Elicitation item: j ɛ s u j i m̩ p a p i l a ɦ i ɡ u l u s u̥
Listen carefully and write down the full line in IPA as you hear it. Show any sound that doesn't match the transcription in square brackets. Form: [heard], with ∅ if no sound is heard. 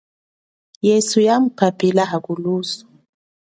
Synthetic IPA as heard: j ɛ s u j [a] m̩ p a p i l a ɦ [a] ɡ u l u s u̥